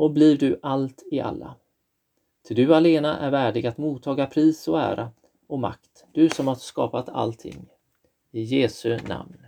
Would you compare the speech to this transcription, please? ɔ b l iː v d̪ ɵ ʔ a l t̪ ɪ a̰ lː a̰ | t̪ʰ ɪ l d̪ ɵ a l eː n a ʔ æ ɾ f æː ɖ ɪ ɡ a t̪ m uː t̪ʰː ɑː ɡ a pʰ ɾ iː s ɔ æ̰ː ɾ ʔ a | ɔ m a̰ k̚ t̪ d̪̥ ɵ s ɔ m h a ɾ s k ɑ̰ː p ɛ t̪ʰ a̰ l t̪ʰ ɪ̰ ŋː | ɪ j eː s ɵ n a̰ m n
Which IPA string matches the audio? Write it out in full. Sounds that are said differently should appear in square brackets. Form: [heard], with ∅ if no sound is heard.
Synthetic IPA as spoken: ɔ b l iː v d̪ ɵ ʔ a l t̪ ɪ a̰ lː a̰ | t̪ʰ ɪ l d̪ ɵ a l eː n a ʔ æ ɾ [v] æː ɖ ɪ ɡ a t̪ m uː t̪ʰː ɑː ɡ a pʰ ɾ iː s ɔ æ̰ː ɾ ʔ a | ɔ m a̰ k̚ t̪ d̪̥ ɵ s ɔ m h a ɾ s k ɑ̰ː p [a] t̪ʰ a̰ l t̪ʰ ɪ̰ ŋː | ɪ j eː s ɵ n a̰ m n